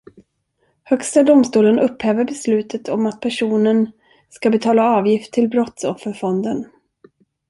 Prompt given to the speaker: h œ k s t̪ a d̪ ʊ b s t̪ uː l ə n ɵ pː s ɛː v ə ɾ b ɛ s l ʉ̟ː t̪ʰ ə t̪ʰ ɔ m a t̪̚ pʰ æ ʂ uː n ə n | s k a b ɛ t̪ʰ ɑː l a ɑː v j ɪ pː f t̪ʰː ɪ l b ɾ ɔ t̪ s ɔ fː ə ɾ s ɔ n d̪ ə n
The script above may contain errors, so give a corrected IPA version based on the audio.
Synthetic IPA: h œ k s t̪ a d̪ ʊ m s t̪ uː l ə n ɵ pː h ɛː v ə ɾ b ɛ s l ʉ̟ː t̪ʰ ə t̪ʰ ɔ m a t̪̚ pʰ æ ʂ uː n ə n | s k a b ɛ t̪ʰ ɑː l a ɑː v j ɪ f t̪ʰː ɪ l b ɾ ɔ t̪ s ɔ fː ə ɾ f ɔ n d̪ ə n